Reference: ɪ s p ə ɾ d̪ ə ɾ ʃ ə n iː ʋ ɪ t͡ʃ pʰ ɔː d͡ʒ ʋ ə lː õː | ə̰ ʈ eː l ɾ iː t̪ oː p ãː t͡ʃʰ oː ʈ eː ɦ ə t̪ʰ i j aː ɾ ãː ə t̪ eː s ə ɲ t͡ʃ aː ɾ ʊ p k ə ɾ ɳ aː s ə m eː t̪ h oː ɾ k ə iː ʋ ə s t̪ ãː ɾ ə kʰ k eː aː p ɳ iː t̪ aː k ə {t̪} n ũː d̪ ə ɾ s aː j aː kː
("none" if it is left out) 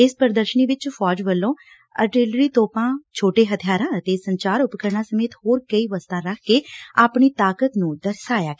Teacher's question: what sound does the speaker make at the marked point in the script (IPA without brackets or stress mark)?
t̪